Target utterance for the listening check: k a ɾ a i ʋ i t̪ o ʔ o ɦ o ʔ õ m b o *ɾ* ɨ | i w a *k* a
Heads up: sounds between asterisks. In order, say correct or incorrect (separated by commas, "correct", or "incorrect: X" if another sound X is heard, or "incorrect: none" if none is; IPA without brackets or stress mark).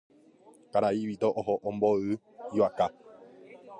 incorrect: none, correct